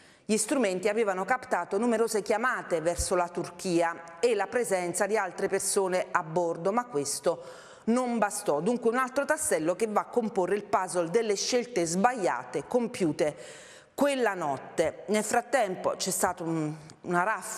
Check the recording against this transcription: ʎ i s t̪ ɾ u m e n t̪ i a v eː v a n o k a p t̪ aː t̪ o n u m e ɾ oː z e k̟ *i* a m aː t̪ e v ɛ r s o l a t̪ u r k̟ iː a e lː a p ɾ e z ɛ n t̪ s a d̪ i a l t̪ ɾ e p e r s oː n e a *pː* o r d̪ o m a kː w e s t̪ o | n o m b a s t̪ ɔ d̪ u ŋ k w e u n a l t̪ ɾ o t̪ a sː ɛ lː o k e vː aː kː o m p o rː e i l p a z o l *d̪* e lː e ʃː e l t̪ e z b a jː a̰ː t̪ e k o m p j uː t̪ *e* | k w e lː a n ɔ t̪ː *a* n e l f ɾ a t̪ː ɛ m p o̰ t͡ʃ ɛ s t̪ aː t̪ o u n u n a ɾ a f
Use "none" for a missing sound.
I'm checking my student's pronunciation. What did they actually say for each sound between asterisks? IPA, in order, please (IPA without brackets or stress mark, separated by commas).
j, bː, d̪, e, e